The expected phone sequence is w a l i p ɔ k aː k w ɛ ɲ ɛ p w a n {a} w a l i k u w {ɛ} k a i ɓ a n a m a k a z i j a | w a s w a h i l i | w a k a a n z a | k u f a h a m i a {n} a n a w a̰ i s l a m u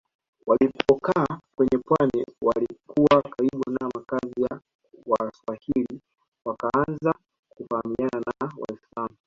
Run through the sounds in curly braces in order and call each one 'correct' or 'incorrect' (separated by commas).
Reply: incorrect, incorrect, correct